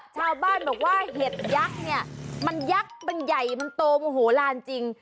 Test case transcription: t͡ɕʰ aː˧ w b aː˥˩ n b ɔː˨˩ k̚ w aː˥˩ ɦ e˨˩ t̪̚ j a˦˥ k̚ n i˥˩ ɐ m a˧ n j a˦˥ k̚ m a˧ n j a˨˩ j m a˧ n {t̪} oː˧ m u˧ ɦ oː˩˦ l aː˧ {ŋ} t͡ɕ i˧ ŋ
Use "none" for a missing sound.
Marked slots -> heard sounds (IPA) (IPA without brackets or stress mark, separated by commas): t̪, n